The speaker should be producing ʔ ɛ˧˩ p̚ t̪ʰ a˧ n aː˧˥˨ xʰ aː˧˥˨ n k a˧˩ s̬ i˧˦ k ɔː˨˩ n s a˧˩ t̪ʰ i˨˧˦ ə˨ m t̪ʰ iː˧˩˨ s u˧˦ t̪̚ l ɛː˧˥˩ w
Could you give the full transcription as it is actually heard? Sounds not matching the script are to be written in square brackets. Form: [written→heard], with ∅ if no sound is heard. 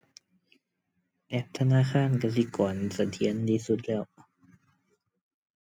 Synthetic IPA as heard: ʔ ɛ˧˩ p̚ t̪ʰ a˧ n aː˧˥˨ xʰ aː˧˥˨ n k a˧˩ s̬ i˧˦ k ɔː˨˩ n s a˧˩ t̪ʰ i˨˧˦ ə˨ [m→n] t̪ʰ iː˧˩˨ s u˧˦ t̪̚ l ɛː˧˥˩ w